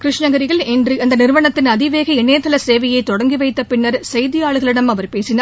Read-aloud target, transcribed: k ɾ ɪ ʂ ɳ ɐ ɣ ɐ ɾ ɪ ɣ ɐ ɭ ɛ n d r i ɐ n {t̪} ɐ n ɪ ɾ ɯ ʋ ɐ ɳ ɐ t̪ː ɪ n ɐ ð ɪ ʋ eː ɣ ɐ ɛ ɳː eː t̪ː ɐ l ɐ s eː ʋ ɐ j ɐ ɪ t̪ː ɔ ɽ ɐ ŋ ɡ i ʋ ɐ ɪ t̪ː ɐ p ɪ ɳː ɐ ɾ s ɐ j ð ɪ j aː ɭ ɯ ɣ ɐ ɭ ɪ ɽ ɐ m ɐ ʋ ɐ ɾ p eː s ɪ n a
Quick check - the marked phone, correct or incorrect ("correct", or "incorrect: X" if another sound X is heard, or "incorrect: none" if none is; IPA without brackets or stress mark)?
incorrect: d̪